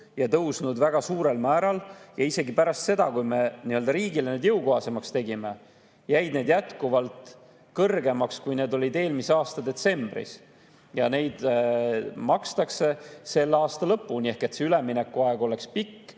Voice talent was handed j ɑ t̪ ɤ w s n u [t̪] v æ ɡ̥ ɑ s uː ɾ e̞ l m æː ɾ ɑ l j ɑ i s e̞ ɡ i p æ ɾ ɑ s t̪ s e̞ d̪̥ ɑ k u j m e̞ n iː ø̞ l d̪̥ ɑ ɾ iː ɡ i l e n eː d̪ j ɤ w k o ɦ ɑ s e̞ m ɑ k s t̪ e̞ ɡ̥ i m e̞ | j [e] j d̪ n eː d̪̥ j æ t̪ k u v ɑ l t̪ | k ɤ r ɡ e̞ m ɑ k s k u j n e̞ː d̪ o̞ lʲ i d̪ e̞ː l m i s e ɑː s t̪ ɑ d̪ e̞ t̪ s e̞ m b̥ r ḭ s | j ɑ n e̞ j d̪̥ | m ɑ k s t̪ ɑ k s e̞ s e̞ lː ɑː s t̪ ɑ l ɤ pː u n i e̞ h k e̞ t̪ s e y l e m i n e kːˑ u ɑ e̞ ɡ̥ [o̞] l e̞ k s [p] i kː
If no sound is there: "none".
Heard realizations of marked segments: d̪, æ, o̞, p

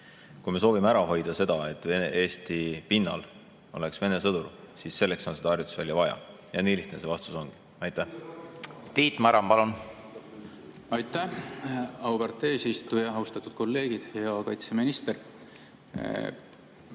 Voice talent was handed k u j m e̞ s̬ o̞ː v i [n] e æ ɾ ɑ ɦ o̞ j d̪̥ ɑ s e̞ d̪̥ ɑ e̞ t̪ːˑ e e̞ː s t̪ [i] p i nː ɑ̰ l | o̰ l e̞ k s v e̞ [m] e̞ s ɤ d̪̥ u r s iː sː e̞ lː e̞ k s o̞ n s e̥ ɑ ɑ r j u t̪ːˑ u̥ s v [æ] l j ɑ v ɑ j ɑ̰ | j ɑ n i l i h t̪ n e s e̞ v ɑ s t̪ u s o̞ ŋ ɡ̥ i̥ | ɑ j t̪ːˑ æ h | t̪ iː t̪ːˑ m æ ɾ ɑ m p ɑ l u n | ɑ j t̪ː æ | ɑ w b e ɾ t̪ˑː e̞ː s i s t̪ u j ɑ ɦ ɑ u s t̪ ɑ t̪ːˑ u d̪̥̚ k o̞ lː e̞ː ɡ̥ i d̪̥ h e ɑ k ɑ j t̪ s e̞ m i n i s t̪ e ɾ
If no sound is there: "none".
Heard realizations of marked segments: m, i, n, æ

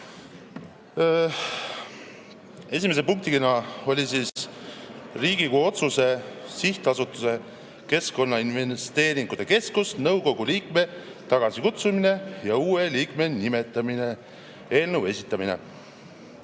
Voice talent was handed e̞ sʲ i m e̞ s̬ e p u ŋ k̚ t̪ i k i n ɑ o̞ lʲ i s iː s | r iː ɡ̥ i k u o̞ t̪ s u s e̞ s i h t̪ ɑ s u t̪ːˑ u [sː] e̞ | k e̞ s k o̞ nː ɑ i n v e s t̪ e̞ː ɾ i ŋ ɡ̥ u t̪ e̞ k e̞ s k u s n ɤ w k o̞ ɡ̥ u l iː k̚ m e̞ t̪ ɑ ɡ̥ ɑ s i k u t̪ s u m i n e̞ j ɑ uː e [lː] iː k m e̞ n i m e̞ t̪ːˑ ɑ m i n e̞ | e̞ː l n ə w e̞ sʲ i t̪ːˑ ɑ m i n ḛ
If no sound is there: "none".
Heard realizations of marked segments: s, l

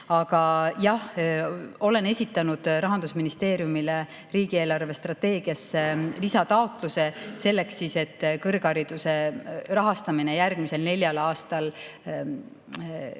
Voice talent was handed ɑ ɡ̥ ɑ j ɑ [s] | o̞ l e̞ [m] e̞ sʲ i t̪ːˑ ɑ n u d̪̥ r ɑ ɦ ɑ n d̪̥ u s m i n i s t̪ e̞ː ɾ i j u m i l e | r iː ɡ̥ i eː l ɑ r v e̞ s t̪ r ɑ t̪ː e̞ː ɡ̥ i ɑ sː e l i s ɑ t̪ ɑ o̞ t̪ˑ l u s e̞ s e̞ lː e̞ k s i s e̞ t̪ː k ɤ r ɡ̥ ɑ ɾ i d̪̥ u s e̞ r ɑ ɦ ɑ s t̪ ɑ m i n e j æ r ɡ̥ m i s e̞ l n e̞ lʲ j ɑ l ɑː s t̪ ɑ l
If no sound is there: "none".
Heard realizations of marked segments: h, n

